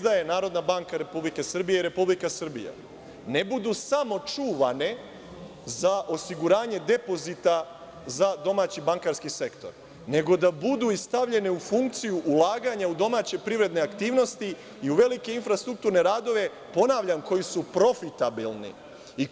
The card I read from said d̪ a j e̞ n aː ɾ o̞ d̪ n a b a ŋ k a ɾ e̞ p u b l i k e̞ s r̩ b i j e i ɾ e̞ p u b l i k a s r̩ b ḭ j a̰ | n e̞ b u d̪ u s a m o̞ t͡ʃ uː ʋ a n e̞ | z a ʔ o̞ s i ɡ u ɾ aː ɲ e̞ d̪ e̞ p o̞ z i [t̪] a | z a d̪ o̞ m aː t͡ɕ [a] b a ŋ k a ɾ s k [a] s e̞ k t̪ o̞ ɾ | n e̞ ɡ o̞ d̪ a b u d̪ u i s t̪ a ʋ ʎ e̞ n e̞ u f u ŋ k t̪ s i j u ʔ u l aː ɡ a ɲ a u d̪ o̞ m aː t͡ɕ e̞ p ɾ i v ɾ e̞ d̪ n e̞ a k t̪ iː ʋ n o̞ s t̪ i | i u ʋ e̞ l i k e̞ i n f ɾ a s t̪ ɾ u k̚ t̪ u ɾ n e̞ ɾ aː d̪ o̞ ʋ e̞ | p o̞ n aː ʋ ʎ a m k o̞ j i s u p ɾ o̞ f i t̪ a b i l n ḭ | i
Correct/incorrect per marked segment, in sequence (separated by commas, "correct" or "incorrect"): correct, incorrect, incorrect